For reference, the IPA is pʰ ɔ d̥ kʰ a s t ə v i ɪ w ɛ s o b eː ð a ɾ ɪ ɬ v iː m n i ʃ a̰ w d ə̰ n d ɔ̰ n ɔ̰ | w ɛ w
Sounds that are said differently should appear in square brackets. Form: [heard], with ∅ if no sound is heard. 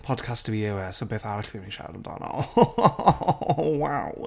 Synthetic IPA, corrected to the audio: pʰ ɔ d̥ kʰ a s t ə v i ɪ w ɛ s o b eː [θ] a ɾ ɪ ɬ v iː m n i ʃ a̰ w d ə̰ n d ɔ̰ n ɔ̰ | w [a] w